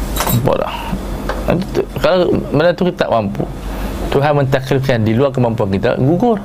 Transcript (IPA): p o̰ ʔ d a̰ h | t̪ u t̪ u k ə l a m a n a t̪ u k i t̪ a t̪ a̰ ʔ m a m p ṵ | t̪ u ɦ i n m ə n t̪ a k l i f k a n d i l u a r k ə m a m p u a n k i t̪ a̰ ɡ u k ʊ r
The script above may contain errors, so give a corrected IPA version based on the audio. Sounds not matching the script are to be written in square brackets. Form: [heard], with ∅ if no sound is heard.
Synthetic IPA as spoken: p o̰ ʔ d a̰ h | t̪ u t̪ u k [a] l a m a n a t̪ u k i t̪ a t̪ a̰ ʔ m a m p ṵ | t̪ u ɦ [a] n m ə n t̪ a k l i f k a n d i l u a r k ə m a m p u a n k i t̪ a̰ ɡ u [ɡ] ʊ r